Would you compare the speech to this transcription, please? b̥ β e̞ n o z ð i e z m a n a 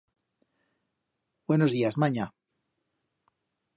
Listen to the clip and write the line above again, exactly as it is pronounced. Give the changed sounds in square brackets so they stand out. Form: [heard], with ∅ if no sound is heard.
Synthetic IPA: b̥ [w] e̞ n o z ð i [a] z m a [ɲ] a